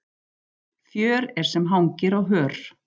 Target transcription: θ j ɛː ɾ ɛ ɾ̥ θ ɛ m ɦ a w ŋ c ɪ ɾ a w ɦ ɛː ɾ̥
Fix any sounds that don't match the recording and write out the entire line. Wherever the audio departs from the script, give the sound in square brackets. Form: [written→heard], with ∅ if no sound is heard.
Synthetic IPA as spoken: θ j [ɛː→œː] ɾ ɛ ɾ̥ [θ→s] ɛ m ɦ a w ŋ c ɪ ɾ a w ɦ [ɛː→œː] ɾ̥